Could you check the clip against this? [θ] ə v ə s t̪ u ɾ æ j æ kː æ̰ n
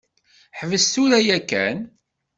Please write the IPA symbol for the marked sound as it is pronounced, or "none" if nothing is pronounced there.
ħ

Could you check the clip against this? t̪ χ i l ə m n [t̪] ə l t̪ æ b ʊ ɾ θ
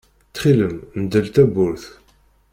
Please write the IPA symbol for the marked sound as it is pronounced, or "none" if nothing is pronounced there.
d̪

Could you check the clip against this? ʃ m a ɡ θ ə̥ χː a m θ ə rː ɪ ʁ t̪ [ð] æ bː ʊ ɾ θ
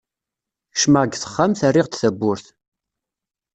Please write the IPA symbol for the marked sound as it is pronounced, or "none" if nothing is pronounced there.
θ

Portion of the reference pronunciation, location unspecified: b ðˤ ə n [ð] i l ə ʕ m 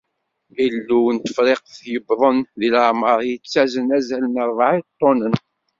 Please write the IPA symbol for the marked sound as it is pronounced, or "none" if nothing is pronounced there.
ð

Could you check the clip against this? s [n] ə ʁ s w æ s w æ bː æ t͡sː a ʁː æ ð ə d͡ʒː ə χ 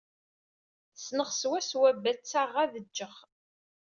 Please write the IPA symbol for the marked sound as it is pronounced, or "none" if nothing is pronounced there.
n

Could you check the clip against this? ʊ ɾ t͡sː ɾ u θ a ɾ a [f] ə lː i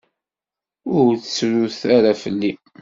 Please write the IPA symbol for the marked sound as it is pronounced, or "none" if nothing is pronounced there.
f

